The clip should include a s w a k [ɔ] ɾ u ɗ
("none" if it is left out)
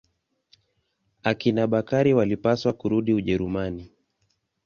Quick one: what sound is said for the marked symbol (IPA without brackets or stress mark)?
u